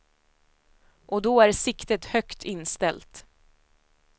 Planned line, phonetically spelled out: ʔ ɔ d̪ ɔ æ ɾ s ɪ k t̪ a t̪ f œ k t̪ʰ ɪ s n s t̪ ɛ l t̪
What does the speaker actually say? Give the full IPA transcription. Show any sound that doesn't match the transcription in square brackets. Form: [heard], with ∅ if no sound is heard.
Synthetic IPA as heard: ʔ ɔ d̪ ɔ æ ɾ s ɪ k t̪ [ə] t̪ [h] œ k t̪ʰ ɪ [∅] n s t̪ ɛ l t̪

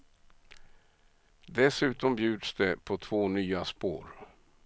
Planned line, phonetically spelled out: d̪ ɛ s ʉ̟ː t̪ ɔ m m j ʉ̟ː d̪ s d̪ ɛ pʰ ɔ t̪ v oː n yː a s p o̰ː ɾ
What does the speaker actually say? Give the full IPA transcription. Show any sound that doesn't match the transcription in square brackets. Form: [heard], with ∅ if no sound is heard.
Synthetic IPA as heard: d̪ ɛ s ʉ̟ː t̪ ɔ m [b] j ʉ̟ː d̪ s d̪ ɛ pʰ ɔ [t̪ʰ] v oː n yː a s p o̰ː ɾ

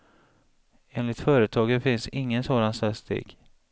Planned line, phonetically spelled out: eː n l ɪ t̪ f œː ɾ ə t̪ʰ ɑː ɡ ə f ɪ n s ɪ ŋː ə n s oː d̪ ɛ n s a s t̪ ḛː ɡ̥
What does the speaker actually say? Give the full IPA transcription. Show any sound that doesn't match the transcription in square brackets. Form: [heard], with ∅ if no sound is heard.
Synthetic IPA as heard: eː n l ɪ t̪ f œː ɾ ə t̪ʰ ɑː ɡ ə f ɪ n s ɪ ŋː ə n s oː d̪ [a] n s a s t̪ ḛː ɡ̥

